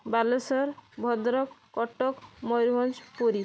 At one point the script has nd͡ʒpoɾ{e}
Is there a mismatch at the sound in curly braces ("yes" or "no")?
yes